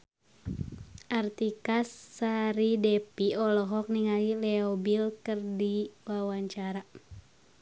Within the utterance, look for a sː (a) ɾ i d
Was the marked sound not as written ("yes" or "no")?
no